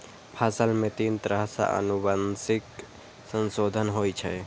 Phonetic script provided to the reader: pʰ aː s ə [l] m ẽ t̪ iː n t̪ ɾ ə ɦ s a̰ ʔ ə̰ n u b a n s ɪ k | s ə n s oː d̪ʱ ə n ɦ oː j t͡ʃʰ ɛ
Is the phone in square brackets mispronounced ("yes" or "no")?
no